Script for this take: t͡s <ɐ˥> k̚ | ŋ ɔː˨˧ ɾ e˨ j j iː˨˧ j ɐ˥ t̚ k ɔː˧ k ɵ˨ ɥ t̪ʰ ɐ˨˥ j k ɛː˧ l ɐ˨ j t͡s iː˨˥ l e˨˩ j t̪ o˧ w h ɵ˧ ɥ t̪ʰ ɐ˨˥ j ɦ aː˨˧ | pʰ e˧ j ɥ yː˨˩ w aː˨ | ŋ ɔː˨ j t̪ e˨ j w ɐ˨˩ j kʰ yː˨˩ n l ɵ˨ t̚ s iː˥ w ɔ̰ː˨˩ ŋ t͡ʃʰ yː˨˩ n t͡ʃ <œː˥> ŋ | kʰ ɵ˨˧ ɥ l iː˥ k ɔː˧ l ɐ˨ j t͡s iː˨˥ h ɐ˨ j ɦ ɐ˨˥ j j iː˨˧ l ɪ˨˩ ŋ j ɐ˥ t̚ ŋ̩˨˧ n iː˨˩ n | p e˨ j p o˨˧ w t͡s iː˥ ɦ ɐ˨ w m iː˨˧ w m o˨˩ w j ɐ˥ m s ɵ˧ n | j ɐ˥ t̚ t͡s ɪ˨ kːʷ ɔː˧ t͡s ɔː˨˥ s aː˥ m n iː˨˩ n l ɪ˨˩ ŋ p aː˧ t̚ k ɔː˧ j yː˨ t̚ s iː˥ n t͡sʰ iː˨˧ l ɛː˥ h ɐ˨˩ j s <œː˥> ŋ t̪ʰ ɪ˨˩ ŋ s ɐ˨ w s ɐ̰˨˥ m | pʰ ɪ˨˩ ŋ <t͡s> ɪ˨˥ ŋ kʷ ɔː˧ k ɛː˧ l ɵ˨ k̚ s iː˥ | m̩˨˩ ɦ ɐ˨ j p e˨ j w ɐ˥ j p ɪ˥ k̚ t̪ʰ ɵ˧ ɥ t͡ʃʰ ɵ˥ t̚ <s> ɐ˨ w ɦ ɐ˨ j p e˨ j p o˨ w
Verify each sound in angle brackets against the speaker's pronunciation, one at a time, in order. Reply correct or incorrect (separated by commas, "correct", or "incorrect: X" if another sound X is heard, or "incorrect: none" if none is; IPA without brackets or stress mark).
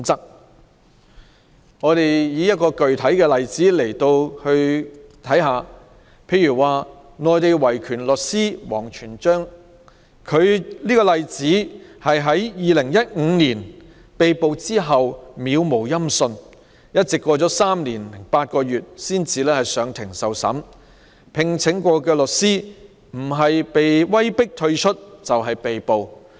correct, correct, incorrect: œː˨˧, incorrect: t͡sʰ, incorrect: t͡s